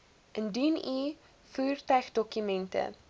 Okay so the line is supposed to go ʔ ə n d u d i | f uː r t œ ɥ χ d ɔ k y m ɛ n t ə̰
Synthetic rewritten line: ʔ ə n d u n i | f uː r t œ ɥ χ d ɔ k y m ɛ n t ə̰